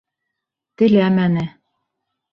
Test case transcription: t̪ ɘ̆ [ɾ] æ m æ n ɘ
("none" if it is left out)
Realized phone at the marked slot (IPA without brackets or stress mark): l